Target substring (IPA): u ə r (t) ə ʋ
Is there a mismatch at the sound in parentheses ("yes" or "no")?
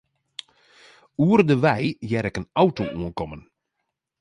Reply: yes